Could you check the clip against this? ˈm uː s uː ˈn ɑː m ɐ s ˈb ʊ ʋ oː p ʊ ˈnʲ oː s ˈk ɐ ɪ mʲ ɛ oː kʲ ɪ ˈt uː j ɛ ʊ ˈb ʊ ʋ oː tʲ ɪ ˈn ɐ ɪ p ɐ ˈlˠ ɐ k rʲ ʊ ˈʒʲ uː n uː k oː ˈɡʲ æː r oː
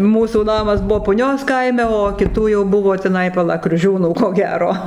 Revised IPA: ˈm uː s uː ˈn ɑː m ɐ s ˈb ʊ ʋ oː p ʊ ˈnʲ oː s ˈk ɐ ɪ mʲ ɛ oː kʲ ɪ ˈt uː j ɛ ʊ ˈb ʊ ʋ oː tʲ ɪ ˈn ɐ ɪ p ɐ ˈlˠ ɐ k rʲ ʊ ˈʒʲ uː n uː k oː ˈɡʲ æː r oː